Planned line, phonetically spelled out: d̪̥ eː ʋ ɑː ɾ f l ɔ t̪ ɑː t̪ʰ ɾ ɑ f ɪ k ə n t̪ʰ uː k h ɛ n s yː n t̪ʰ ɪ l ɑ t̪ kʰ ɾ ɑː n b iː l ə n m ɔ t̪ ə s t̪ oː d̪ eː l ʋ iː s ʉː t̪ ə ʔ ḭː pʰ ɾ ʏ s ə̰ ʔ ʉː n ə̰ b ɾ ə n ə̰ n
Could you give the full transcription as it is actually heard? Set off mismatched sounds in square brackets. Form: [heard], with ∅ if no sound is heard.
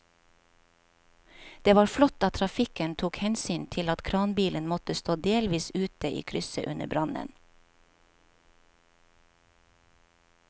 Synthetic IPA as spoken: d̪̥ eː ʋ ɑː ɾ f l ɔ t̪ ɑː t̪ʰ ɾ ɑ f ɪ k ə n t̪ʰ uː k h ɛ n s yː n t̪ʰ ɪ l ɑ t̪ kʰ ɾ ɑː n b iː l ə n m ɔ t̪ ə s t̪ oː d̪ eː l ʋ iː s ʉː t̪ ə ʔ ḭː [kʰ] ɾ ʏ s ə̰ ʔ [ʉ] n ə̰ b ɾ [ɑ] n ə̰ n

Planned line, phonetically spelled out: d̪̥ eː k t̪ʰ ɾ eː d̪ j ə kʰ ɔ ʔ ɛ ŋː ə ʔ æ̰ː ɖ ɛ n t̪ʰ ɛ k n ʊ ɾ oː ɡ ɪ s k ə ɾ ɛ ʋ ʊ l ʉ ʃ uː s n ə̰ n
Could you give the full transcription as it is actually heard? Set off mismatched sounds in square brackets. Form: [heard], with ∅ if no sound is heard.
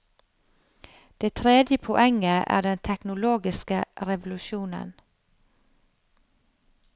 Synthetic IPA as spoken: d̪̥ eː [∅] t̪ʰ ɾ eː d̪ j ə [pʰ] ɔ ʔ ɛ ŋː ə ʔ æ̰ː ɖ ɛ n t̪ʰ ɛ k n ʊ [l] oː ɡ ɪ s k ə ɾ ɛ ʋ ʊ l ʉ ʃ uː [∅] n ə̰ n

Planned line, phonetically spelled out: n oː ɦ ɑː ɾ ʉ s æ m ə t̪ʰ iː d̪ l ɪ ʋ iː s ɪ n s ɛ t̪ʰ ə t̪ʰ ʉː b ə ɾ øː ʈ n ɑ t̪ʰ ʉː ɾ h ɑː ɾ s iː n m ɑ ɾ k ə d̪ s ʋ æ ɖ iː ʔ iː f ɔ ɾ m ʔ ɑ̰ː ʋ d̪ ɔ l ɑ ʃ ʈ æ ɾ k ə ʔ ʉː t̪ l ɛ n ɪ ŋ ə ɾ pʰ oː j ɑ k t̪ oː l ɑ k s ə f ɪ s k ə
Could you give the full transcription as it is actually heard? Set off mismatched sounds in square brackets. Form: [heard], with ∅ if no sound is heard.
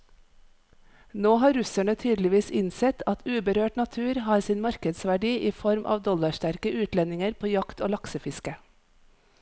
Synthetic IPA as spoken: n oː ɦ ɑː ɾ ʉ s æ [ɳ] ə t̪ʰ [yː] d̪ l ɪ ʋ iː s ɪ n s ɛ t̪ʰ [ɑ] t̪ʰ ʉː b ə ɾ øː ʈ n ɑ t̪ʰ ʉː ɾ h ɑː ɾ s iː n m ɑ ɾ k ə d̪ s ʋ æ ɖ iː ʔ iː f ɔ ɾ m ʔ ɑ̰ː ʋ d̪ ɔ l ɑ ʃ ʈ æ ɾ k ə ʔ ʉː t̪ l ɛ n ɪ ŋ ə ɾ pʰ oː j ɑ k t̪ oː l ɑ k s ə f ɪ s k ə

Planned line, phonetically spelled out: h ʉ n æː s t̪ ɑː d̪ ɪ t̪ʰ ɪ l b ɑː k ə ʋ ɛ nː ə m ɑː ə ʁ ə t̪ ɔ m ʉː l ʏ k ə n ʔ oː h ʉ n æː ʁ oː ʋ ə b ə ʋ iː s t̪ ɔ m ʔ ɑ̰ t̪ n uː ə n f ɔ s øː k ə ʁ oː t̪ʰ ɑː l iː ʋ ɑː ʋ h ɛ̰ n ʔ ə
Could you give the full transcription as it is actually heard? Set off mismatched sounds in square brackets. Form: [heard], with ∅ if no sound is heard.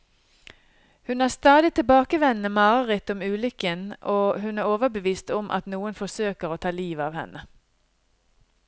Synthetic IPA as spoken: h ʉ n æː s t̪ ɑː d̪ ɪ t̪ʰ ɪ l b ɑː k ə ʋ ɛ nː ə m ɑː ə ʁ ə t̪ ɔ m ʉː l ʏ k ə n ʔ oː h ʉ n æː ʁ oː ʋ ə b ə ʋ iː s t̪ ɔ m ʔ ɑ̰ t̪ n uː ə n f ɔ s øː k ə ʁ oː t̪ʰ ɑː l iː ʋ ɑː ʋ h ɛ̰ n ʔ ə

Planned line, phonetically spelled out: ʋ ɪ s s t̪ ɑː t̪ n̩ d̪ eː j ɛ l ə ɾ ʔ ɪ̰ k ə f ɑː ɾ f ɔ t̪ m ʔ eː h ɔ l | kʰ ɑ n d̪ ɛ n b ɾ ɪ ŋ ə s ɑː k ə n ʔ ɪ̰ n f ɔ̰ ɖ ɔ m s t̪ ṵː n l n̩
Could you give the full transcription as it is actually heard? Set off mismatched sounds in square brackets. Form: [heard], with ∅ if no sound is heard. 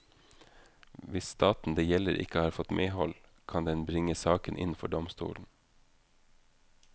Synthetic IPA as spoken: ʋ ɪ s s t̪ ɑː t̪ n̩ d̪ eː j ɛ l ə ɾ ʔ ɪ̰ k ə [h] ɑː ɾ f ɔ t̪ m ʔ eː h ɔ l | kʰ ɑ n d̪ ɛ n b ɾ ɪ ŋ ə s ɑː k ə n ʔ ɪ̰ n f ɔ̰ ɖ ɔ m s t̪ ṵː [∅] l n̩

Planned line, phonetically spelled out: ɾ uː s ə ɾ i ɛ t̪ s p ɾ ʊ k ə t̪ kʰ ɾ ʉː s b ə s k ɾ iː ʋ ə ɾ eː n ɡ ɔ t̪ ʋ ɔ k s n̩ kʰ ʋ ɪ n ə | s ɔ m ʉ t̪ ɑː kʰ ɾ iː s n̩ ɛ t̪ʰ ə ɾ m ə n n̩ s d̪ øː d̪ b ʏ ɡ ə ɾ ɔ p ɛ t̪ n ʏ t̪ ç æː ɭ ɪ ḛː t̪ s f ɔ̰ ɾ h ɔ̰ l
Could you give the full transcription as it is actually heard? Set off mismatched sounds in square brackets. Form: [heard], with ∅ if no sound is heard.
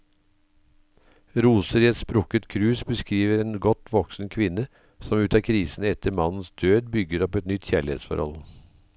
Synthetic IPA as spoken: ɾ uː s ə ɾ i ɛ t̪ s p ɾ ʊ k ə t̪ kʰ ɾ ʉː s b ə s k ɾ iː ʋ ə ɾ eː n ɡ ɔ t̪ ʋ ɔ k s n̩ kʰ ʋ ɪ n ə | s ɔ m [ʉː] t̪ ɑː kʰ ɾ iː s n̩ ɛ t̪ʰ ə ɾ m [ɑ] n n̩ s d̪ øː d̪ b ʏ ɡ ə ɾ ɔ p ɛ t̪ n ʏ t̪ ç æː ɭ ɪ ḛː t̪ s f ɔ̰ ɾ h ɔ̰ l

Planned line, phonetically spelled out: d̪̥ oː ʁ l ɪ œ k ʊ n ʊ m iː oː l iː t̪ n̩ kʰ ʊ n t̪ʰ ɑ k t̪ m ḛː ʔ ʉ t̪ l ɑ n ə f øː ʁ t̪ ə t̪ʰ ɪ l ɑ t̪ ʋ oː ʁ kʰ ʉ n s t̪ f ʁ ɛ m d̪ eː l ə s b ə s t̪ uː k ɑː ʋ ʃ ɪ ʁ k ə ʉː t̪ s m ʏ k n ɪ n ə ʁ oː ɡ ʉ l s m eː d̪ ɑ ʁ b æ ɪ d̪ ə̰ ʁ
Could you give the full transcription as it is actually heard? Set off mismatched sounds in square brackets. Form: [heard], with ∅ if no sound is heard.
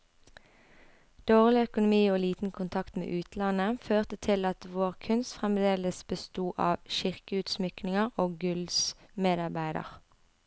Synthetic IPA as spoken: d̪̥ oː ʁ l ɪ œ k ʊ n ʊ m iː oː l iː t̪ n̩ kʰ ʊ n t̪ʰ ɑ k t̪ m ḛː ʔ [ʉː] t̪ l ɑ n ə f øː ʁ t̪ ə t̪ʰ ɪ l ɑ t̪ ʋ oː ʁ kʰ ʉ n s t̪ f ʁ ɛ m d̪ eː l ə s b ə s t̪ uː [ʔ] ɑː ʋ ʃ ɪ ʁ k ə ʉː t̪ s m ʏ k n ɪ [ŋ] ə ʁ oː ɡ ʉ l s m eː d̪ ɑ ʁ b æ ɪ d̪ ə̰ ʁ

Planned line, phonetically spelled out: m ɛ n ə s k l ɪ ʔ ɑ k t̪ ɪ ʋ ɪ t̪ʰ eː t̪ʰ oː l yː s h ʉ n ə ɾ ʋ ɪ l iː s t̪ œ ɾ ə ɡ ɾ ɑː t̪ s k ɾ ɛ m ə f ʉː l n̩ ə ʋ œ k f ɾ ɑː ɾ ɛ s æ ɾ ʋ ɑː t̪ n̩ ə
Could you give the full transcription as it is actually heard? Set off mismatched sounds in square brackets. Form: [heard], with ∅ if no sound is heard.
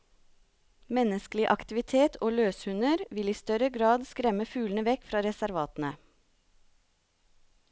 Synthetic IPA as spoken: m ɛ n ə s k l ɪ ʔ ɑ k t̪ ɪ ʋ ɪ t̪ʰ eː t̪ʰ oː l [øː] s h ʉ n ə ɾ ʋ ɪ l iː s t̪ œ ɾ ə ɡ ɾ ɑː [d̪] s k ɾ ɛ m ə f ʉː l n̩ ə ʋ [ɛ] k f ɾ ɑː ɾ ɛ s æ ɾ ʋ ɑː t̪ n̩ ə

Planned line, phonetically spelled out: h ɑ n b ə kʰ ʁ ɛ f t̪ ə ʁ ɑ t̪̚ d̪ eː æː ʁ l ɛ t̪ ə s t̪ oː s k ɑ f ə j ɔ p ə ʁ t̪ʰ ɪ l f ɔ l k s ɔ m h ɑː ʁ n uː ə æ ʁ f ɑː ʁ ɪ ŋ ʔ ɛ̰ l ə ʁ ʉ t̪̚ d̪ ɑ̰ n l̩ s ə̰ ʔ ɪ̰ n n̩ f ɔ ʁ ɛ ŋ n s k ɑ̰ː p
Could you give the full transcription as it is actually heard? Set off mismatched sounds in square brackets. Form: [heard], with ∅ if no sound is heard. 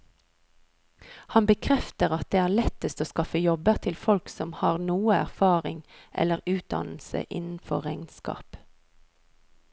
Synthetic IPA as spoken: h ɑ n b ə kʰ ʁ ɛ f t̪ ə ʁ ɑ t̪̚ d̪ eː æː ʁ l ɛ t̪ ə s t̪ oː s k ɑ f ə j ɔ [b] ə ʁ t̪ʰ ɪ l f ɔ l k s ɔ m h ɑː ʁ n uː ə æ ʁ f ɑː ʁ ɪ ŋ ʔ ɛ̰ l ə ʁ [ʉː] t̪̚ d̪ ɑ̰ n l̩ s ə̰ ʔ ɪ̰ n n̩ f ɔ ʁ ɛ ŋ n s k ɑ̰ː p

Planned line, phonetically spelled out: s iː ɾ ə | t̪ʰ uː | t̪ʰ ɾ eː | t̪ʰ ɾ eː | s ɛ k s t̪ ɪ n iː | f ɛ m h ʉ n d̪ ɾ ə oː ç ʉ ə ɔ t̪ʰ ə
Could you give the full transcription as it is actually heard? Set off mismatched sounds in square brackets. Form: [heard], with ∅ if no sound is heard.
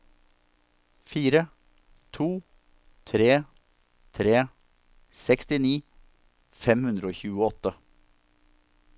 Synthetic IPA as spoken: [f] iː ɾ ə | t̪ʰ uː | t̪ʰ ɾ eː | t̪ʰ ɾ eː | s ɛ k s t̪ ɪ n iː | f ɛ m h ʉ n d̪ ɾ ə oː ç [ʉː] ə ɔ [t̪] ə

